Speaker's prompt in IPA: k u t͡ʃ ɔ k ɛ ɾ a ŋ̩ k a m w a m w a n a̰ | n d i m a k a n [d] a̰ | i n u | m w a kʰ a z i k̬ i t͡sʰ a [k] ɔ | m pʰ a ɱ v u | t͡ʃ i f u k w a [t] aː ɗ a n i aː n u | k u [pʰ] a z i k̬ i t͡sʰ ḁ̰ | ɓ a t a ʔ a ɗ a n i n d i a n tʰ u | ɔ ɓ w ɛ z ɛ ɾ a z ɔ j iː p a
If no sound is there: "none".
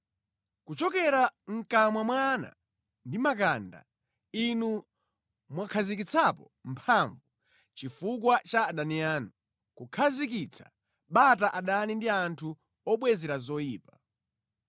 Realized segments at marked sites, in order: d, p, t͡ʃ, kʰ

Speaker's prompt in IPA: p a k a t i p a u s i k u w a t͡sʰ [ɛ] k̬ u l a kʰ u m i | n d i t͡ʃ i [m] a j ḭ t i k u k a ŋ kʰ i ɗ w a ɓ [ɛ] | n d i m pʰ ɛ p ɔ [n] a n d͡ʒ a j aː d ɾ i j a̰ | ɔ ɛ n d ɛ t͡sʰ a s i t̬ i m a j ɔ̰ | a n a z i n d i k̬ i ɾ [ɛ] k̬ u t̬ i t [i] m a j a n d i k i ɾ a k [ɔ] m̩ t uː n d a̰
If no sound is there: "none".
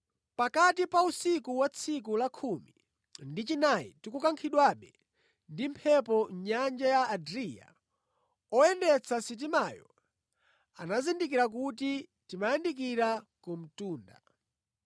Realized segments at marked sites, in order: i, n, ɛ, ɲ, a, i, u

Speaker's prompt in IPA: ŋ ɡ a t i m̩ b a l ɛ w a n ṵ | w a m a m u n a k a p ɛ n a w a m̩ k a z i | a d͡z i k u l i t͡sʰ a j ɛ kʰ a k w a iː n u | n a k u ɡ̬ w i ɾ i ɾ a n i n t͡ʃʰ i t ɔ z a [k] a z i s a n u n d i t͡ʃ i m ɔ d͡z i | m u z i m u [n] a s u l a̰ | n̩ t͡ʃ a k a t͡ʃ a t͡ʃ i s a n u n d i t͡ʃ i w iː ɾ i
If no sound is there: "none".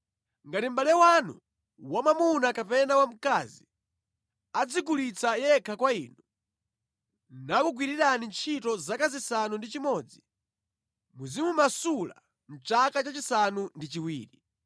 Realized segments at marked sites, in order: k, m

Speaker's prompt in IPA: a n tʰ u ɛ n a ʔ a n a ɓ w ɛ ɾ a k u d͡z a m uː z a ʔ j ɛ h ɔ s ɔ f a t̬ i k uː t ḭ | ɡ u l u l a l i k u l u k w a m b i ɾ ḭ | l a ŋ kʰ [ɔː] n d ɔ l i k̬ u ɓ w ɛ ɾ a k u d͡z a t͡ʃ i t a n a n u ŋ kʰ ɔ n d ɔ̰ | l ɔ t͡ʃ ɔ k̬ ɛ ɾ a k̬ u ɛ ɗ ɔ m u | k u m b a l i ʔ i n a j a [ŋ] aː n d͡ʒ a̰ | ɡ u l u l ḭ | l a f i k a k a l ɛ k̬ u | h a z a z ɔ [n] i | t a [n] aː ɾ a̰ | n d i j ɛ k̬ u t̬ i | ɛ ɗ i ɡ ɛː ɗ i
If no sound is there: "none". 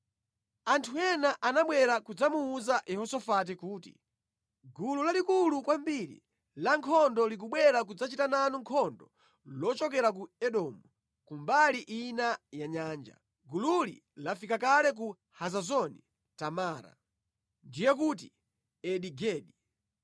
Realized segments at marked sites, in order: ɔ, ɲ, n, m

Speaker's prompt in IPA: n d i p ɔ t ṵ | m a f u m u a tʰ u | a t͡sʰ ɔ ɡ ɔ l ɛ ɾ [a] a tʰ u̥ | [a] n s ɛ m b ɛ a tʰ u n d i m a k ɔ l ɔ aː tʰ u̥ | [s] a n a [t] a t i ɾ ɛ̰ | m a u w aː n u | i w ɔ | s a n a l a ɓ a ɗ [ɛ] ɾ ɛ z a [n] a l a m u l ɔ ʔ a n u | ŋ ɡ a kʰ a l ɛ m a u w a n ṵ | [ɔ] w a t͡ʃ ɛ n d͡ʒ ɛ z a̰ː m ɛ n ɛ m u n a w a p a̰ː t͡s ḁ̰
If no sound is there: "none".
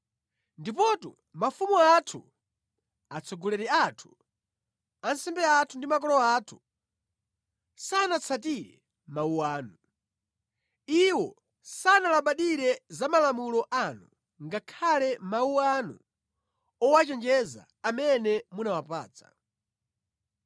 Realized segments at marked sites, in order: ɛ, a, s, t͡sʰ, i, m, ɔ

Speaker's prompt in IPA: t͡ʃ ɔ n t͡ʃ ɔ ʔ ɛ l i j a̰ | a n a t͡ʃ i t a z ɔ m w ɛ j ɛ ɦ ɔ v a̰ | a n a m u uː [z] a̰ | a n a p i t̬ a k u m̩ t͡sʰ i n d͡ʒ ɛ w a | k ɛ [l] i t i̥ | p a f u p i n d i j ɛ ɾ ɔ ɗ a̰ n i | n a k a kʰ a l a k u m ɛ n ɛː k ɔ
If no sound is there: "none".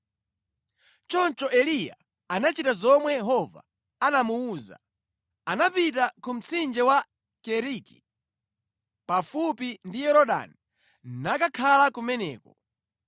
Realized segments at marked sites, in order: z, ɾ

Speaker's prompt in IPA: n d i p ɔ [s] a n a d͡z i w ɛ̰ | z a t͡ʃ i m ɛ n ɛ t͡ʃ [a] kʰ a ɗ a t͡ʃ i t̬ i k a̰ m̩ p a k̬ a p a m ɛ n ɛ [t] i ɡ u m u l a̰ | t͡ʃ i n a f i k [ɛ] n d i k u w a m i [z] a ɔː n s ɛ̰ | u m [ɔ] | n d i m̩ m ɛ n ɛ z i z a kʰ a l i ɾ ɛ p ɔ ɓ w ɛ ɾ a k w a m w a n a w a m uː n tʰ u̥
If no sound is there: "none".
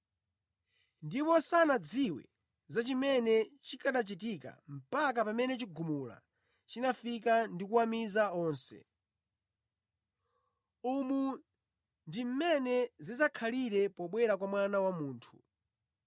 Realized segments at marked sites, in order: s, i, t͡ʃ, a, z, u

